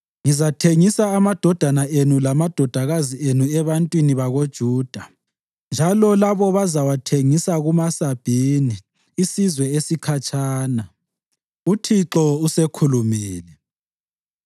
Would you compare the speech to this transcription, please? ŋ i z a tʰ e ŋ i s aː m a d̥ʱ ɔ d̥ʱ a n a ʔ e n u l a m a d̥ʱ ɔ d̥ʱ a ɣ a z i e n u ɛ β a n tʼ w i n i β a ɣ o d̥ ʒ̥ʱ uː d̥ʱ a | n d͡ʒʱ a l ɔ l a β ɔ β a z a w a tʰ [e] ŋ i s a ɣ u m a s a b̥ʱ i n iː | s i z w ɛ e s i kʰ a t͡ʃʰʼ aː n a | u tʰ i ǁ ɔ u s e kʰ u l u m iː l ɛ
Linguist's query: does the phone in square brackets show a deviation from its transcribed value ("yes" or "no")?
no